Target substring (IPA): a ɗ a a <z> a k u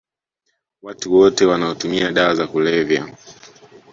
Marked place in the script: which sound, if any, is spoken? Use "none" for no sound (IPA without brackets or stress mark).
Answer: z